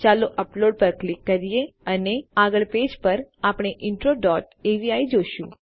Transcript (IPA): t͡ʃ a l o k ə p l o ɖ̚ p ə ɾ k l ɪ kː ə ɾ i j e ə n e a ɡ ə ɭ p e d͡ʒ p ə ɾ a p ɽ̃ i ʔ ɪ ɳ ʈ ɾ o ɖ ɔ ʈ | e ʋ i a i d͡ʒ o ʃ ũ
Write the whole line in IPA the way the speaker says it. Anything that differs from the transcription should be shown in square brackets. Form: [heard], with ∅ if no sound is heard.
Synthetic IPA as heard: t͡ʃ a l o [ʔ] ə p l o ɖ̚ p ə ɾ k l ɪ kː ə ɾ i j e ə n e a ɡ ə ɭ p e d͡ʒ p ə ɾ a p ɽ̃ [e] ʔ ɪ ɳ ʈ ɾ o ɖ ɔ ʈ | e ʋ i a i d͡ʒ o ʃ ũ